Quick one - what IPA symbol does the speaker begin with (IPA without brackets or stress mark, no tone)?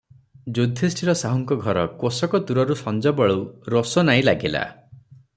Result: d͡ʒ